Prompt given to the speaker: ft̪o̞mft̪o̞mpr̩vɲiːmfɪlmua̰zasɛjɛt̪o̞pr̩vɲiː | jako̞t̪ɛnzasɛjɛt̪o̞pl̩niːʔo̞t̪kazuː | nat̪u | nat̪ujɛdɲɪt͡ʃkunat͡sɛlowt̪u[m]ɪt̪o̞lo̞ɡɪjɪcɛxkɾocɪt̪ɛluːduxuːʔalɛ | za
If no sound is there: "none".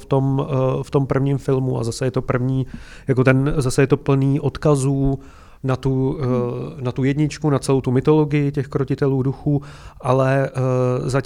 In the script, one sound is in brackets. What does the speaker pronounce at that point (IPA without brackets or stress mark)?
m